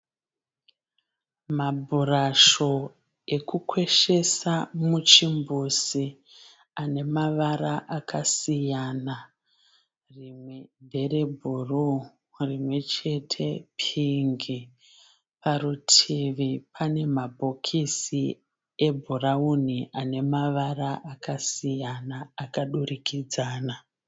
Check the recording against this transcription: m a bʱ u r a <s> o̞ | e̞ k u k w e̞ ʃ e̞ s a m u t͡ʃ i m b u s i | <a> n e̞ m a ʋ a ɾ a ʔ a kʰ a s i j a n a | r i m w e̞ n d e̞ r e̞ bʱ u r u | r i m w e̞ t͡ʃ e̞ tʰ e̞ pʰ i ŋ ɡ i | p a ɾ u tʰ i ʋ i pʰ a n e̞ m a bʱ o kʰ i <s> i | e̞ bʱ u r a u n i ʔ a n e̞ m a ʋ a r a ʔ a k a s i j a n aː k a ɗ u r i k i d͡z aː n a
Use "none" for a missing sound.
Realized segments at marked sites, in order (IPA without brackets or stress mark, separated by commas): ʃ, a, s